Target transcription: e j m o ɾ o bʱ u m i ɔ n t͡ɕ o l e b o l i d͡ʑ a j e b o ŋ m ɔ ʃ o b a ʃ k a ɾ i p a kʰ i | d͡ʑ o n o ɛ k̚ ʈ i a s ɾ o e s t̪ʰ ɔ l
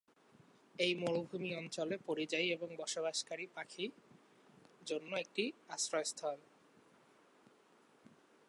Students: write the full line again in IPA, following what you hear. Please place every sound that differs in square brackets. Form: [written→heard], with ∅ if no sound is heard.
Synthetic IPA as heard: e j m o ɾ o bʱ u m i ɔ n t͡ɕ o l e [b→p] o [l→ɾ] i d͡ʑ a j e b o ŋ [m→b] ɔ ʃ o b a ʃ k a ɾ i p a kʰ i | d͡ʑ o [n→nː] o [ɛ→e] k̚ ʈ i a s ɾ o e s t̪ʰ ɔ l